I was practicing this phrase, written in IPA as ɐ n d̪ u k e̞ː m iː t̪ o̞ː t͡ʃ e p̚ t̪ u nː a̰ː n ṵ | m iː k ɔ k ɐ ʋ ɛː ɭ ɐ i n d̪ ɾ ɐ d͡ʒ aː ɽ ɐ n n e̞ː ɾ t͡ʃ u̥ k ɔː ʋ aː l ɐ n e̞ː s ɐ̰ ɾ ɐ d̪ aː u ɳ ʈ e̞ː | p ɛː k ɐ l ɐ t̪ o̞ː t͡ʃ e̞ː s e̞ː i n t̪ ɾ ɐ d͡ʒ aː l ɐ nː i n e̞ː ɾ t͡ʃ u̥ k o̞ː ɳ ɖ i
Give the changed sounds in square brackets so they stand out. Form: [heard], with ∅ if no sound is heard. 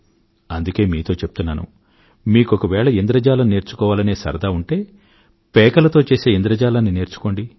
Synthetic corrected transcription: ɐ n d̪ u k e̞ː m iː t̪ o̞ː t͡ʃ e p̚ t̪ u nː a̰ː n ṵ | m iː k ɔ k ɐ ʋ ɛː ɭ ɐ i n d̪ ɾ ɐ d͡ʒ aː [l] ɐ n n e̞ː ɾ t͡ʃ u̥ k ɔː ʋ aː l ɐ n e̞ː s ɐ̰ ɾ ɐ d̪ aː u ɳ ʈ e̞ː | p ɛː k ɐ l ɐ t̪ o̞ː t͡ʃ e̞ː s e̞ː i n [d̪] ɾ ɐ d͡ʒ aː l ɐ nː i n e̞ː ɾ t͡ʃ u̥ k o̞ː ɳ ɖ i